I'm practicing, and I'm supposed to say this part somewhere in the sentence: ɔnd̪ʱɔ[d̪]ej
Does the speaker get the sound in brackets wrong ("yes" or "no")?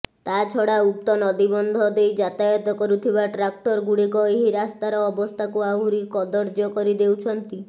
no